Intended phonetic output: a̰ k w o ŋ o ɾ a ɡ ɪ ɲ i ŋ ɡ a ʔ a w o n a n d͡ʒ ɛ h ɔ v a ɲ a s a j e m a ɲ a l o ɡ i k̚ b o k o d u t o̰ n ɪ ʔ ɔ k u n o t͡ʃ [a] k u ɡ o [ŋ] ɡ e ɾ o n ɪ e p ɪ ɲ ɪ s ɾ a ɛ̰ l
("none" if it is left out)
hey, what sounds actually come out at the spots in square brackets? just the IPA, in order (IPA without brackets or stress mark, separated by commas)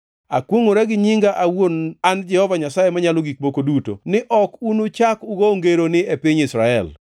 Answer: a, ŋ